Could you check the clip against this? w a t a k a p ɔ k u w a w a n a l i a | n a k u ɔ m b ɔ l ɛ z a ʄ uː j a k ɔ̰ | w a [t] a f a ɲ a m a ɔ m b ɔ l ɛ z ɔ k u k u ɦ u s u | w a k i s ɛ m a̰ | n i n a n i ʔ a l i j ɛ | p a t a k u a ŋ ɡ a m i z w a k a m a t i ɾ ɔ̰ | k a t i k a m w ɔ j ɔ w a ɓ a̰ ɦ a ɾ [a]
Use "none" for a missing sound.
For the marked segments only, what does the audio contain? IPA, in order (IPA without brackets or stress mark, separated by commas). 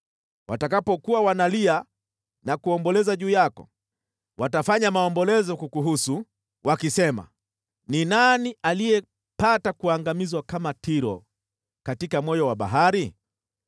t, i